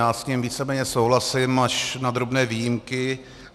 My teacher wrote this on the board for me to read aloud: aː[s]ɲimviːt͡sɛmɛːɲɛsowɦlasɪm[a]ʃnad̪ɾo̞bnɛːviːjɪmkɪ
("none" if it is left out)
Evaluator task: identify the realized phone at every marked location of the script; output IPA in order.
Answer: s, a

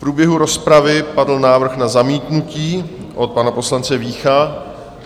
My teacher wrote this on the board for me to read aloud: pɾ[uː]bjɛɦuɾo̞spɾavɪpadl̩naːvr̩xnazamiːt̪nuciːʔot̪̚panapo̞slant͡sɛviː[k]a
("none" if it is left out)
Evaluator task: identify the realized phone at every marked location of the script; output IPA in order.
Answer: uː, x

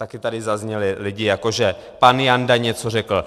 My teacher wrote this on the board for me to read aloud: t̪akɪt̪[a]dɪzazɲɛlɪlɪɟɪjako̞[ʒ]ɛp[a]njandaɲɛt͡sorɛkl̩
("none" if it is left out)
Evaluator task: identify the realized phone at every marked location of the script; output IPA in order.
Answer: a, ʒ, a

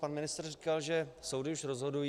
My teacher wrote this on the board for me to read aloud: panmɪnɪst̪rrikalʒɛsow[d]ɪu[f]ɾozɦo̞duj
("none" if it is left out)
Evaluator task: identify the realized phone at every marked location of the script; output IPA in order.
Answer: d, ʃ

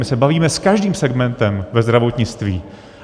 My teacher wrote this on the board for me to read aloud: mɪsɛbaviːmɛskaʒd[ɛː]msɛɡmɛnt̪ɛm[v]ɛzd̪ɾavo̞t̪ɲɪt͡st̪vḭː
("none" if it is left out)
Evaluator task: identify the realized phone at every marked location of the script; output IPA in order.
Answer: iː, v

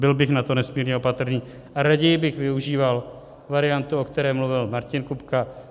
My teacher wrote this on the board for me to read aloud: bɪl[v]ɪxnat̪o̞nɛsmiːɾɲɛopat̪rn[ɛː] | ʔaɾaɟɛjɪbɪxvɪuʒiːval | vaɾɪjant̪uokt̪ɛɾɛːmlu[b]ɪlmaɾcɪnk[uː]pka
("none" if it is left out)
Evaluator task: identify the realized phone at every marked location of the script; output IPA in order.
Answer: b, iː, v, u

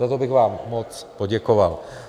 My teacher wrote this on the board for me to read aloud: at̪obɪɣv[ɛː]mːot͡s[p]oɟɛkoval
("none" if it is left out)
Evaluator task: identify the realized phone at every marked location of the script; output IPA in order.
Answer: aː, p

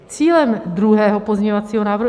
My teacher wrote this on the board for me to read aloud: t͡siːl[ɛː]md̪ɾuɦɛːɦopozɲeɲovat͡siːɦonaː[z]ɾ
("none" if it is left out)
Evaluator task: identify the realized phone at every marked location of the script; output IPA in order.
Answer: ɛ, v

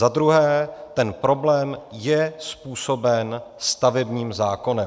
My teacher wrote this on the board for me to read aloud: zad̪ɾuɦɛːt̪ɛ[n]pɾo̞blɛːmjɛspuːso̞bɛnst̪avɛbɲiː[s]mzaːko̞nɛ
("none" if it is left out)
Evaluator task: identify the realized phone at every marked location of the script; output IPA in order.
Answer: n, none

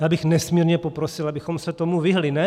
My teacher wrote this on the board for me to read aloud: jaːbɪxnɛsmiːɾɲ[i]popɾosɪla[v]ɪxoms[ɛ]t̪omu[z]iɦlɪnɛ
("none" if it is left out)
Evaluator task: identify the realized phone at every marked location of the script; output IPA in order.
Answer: ɛ, b, ɛ, v

